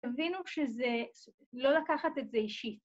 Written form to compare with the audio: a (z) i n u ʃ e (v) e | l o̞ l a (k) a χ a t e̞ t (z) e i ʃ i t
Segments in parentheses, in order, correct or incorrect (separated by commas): incorrect, incorrect, correct, correct